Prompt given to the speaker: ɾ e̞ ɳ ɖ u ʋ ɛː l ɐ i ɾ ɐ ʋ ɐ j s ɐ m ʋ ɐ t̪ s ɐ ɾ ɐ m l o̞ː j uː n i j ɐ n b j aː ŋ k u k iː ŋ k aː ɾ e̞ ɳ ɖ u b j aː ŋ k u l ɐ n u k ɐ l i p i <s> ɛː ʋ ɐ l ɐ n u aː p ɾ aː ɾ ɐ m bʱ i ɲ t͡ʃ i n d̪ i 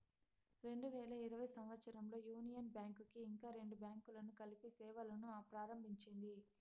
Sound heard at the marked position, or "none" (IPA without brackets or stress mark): s